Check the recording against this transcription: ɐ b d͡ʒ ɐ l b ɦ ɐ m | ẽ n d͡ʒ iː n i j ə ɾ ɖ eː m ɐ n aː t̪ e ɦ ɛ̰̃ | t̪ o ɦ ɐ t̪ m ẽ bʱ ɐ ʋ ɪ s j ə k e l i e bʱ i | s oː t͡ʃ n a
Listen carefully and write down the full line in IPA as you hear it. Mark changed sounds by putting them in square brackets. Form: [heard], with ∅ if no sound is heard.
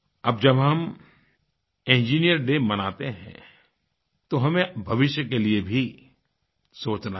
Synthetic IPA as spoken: ɐ b d͡ʒ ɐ [∅] b ɦ ɐ m | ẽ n d͡ʒ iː n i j ə ɾ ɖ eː m ɐ n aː t̪ e ɦ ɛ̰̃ | t̪ o ɦ ɐ [∅] m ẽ bʱ ɐ ʋ ɪ [ʃ] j ə k e l i e bʱ i | s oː t͡ʃ n a